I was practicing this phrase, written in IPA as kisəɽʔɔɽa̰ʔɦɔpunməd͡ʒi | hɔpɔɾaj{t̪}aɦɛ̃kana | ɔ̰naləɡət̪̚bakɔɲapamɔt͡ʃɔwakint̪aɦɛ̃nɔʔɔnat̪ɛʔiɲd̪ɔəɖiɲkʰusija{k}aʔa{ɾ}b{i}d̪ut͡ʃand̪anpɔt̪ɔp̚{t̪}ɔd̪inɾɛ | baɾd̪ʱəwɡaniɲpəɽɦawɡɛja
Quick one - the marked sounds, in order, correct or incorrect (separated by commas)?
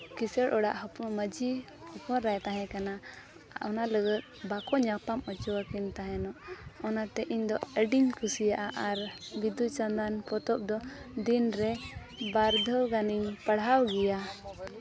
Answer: correct, incorrect, correct, correct, incorrect